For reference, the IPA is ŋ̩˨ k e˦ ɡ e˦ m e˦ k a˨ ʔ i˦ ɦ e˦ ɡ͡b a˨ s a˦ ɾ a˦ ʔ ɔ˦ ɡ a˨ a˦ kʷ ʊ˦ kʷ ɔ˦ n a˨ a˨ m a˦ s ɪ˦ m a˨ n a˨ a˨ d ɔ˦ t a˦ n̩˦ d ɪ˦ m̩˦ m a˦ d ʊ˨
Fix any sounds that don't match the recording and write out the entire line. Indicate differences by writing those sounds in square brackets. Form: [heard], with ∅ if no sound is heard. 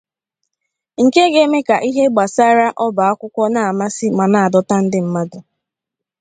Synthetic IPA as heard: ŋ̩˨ k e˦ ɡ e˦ m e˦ k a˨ ʔ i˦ ɦ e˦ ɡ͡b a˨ s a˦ ɾ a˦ ʔ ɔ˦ [b] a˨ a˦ kʷ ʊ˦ kʷ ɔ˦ n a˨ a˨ m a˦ s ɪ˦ m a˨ n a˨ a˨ d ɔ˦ t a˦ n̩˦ d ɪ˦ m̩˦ m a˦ d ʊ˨